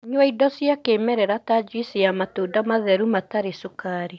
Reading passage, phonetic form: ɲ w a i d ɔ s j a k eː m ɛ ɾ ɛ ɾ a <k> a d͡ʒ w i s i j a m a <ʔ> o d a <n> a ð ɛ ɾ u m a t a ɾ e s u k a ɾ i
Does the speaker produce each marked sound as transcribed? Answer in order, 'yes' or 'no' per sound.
no, no, no

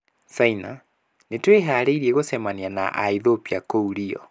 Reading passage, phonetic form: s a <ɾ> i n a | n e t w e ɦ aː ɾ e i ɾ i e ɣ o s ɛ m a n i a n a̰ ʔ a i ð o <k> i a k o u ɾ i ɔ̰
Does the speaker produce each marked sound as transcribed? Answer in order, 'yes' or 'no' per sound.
no, no

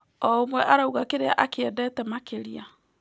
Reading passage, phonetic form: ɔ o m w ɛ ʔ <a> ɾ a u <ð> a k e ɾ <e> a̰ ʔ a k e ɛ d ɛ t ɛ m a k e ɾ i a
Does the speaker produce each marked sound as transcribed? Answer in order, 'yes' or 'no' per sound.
yes, no, yes

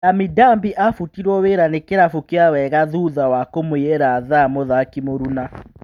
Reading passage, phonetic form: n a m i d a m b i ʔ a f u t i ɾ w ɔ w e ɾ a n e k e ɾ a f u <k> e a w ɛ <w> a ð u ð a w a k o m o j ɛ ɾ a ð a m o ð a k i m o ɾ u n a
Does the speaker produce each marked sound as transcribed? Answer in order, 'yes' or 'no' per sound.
yes, no

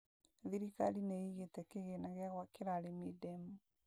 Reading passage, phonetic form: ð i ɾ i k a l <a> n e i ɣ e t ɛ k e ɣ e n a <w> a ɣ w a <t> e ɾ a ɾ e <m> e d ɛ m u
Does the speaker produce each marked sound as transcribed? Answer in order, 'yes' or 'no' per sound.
no, no, no, yes

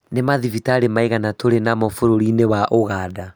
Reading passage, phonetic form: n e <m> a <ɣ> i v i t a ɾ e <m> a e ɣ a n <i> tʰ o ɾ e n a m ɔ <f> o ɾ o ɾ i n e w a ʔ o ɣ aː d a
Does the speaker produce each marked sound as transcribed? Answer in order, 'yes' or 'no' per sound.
yes, no, yes, no, yes

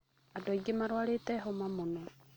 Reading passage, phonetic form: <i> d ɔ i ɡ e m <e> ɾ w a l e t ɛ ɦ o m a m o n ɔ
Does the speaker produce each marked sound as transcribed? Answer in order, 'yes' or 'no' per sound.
no, no

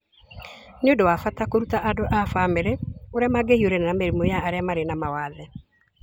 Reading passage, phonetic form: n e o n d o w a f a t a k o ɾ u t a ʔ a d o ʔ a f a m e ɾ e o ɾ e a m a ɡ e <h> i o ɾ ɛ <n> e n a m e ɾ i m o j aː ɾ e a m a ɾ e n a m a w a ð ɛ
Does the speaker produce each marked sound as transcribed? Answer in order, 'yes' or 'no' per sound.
yes, yes

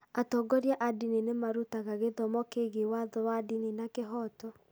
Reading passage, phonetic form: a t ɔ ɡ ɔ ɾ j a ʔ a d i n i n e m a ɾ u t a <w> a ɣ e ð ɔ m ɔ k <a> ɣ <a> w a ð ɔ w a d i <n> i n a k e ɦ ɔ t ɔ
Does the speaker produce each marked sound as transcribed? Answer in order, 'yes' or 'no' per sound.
no, no, no, yes

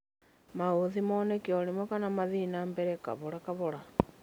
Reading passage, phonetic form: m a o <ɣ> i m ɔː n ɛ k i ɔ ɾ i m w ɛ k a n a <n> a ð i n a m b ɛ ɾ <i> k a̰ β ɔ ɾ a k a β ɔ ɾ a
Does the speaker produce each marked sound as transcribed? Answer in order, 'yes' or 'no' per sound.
no, no, no

